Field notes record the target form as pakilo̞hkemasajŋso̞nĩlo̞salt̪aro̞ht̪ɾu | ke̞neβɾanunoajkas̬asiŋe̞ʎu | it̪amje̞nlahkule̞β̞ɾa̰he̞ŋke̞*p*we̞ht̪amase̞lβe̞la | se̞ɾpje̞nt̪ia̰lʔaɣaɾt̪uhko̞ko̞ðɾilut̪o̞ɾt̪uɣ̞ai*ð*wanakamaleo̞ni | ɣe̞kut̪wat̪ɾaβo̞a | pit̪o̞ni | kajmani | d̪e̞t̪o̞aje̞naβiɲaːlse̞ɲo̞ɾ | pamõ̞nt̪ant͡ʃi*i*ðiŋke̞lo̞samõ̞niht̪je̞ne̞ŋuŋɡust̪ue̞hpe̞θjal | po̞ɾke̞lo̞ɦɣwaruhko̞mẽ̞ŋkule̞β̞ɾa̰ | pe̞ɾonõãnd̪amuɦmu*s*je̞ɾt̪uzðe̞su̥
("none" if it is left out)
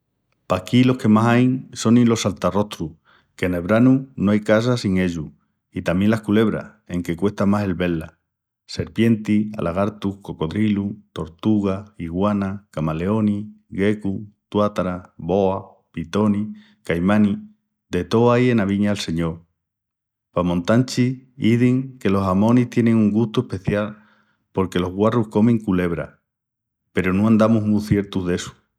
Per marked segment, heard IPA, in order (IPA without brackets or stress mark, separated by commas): k, ɣ, i, θ